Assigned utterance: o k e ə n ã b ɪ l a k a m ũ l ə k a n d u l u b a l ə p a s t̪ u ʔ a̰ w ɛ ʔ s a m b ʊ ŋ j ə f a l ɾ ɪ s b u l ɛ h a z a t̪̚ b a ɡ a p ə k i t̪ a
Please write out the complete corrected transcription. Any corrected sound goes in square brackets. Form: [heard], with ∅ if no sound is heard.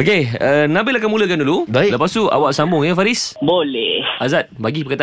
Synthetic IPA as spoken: o k e ə n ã b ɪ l a k a m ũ l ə k a n d u l u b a l ə p a s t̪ u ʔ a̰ w [a] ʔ s a m b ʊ ŋ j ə f a [∅] ɾ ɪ s b [o] l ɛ h a z a t̪̚ b a ɡ [i] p ə k [a] t̪ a